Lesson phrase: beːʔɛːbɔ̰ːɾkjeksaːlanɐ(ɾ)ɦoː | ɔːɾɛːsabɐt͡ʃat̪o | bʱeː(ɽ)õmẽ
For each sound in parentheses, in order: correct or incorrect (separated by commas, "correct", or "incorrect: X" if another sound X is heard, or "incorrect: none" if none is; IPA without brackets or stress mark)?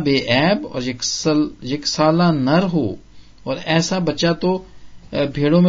correct, correct